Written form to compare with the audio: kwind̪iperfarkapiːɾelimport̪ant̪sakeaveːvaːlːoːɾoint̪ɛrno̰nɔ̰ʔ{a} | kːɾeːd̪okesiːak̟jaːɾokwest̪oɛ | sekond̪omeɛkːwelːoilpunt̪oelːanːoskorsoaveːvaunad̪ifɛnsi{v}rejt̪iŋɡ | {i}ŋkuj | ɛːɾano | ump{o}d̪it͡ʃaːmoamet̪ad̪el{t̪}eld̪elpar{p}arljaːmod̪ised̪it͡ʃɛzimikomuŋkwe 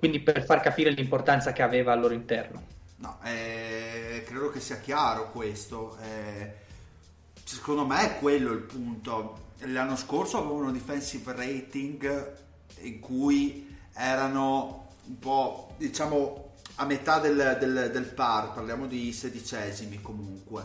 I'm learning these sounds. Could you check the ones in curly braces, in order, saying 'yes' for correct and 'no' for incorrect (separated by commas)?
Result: no, yes, yes, no, no, yes